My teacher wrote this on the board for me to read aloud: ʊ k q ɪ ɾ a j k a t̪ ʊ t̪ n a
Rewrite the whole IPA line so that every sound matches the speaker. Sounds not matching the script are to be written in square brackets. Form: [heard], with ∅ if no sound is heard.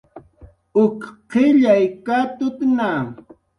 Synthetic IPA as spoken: ʊ k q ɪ [ʎ] a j k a t̪ ʊ t̪ n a